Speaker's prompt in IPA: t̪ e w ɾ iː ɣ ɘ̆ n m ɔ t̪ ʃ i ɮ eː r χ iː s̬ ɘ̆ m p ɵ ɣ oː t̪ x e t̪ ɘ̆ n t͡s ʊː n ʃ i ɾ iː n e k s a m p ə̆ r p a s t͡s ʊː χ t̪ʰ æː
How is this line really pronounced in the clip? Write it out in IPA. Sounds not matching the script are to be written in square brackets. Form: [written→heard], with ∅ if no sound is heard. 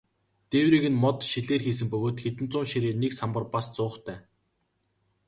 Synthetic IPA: t̪ e w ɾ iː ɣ ɘ̆ n m ɔ t̪ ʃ i ɮ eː r [χ→x] iː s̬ ɘ̆ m p ɵ ɣ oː t̪ x e t̪ ɘ̆ n t͡s ʊː n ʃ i ɾ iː n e k s a m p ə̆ r p a s t͡s ʊː χ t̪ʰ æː